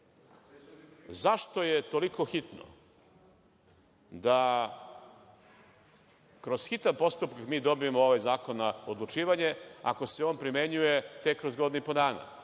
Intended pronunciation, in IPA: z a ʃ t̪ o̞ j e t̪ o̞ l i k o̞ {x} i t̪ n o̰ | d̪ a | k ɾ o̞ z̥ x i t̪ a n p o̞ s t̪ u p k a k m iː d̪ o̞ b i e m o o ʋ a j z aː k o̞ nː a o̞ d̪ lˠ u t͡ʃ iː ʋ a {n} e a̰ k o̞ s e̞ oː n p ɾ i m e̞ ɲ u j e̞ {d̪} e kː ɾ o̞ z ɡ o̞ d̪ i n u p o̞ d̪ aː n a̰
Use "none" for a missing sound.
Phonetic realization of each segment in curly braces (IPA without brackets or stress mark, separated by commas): x, ɲ, t̪